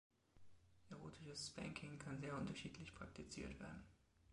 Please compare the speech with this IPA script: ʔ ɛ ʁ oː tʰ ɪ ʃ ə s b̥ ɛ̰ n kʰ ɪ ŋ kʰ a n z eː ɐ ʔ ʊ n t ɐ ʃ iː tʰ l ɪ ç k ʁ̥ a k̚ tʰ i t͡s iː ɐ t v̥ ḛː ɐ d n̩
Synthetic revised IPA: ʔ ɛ ʁ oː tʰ ɪ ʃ ə s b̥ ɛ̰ ŋ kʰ ɪ ŋ kʰ a n z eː ɐ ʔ ʊ n t ɐ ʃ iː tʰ l ɪ ç p ʁ̥ a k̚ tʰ i t͡s iː ɐ t v̥ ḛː ɐ d n̩